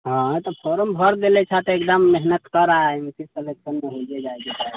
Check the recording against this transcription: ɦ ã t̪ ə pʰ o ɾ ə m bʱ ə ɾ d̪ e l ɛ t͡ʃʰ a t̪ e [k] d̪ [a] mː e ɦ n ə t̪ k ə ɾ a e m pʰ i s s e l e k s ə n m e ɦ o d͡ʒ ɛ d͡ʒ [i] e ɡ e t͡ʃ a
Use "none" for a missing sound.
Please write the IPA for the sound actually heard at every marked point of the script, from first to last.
k, ə, a

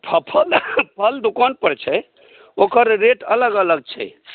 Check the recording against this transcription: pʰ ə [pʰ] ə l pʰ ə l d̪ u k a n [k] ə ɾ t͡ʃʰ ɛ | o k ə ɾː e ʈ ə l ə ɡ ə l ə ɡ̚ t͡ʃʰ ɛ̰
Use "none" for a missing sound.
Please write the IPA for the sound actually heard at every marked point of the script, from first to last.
pʰ, p

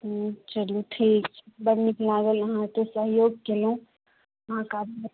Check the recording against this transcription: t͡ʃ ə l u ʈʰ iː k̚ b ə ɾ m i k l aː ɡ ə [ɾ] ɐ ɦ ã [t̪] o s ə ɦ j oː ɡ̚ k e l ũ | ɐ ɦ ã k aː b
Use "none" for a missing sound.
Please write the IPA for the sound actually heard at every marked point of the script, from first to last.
l, t̪

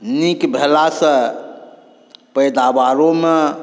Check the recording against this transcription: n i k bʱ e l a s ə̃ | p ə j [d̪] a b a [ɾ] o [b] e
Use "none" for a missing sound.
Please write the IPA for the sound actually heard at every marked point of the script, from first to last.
d̪, ɾ, m

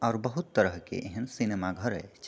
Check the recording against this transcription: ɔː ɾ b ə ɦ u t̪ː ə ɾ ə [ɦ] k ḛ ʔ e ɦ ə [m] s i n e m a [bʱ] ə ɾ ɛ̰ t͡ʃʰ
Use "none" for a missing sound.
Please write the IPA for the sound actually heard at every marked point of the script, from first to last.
ɦ, n, ɡʱ

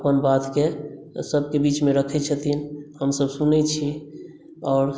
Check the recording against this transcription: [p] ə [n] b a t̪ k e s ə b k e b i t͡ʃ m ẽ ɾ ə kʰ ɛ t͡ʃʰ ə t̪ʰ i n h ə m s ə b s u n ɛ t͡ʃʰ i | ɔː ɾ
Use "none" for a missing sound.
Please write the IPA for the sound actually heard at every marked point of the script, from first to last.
p, n

